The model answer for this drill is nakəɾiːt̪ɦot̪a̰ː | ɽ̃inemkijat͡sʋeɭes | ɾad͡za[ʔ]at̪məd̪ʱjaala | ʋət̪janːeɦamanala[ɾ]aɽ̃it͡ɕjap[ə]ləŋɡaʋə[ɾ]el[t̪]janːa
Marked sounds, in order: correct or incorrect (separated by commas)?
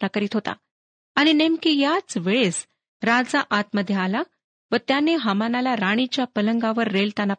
correct, correct, correct, incorrect, correct